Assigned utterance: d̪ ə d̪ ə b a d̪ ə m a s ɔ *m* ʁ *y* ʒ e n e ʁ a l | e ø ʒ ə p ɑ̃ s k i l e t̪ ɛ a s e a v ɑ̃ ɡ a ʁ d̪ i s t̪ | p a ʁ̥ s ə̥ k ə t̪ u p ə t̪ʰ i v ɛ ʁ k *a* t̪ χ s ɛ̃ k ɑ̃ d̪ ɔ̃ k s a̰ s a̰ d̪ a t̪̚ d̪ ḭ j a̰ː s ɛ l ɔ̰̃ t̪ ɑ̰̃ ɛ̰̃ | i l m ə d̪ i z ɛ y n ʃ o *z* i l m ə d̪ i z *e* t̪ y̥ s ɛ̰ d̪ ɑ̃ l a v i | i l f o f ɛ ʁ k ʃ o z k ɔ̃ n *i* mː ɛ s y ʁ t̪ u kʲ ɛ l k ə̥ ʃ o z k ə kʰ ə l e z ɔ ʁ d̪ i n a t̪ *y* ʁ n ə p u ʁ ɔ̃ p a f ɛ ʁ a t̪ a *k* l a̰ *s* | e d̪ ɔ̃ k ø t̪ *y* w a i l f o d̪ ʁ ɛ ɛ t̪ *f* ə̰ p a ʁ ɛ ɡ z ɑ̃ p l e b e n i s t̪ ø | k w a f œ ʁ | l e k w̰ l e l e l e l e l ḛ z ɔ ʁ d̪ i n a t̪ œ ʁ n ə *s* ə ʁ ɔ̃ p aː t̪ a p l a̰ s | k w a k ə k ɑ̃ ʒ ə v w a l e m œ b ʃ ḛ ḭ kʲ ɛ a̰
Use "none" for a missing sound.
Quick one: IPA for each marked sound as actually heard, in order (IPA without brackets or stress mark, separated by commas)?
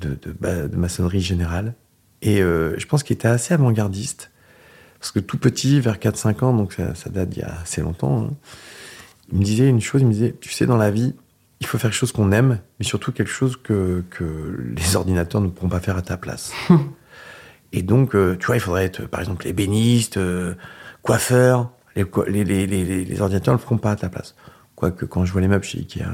n, i, a, z, ɛ, ɛ, œ, p, s, y, χ, f